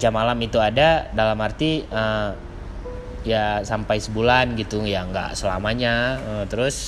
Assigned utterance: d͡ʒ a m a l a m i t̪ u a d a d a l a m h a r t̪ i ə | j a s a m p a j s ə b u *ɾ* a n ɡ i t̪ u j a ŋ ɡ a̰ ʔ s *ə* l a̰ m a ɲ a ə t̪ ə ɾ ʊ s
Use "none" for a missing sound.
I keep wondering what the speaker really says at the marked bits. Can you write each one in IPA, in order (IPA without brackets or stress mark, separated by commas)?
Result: l, ə